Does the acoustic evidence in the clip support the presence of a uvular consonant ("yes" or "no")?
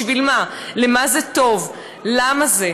no